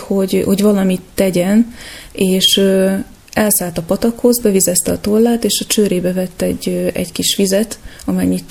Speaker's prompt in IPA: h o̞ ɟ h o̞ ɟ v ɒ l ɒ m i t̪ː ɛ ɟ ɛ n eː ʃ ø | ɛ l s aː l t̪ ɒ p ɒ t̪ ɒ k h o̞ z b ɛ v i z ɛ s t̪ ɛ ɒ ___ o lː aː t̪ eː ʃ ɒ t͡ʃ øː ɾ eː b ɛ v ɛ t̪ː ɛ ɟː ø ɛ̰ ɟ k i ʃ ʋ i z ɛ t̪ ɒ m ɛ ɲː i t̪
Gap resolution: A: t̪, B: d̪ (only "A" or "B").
A